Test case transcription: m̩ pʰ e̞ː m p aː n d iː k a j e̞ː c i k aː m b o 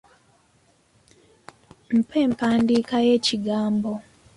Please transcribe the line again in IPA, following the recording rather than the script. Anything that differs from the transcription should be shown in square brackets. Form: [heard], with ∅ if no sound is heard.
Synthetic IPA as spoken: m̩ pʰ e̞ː m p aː n d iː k a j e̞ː c i [ɡ] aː m b o